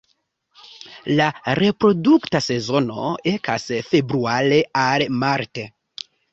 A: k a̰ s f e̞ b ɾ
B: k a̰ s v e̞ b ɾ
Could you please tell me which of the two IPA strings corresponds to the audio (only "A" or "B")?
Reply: A